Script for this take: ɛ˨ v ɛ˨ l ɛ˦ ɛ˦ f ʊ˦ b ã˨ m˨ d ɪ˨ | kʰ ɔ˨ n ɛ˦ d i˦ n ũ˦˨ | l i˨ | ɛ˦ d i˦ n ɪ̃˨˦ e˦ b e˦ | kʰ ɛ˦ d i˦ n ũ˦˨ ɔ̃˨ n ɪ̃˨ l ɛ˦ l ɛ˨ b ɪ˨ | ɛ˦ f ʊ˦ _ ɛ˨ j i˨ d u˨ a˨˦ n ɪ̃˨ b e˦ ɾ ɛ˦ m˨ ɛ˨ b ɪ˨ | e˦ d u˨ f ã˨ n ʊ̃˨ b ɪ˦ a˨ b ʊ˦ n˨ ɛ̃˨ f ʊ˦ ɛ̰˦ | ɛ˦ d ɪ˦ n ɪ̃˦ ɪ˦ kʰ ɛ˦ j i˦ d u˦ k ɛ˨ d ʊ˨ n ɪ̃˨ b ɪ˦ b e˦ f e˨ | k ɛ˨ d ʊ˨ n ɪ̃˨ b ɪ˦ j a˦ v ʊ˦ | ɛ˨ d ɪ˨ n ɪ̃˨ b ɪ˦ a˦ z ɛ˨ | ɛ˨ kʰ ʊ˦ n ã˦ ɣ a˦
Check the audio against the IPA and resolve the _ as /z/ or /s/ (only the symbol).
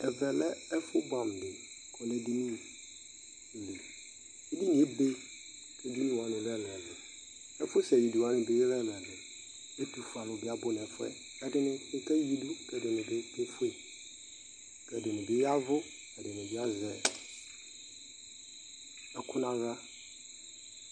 s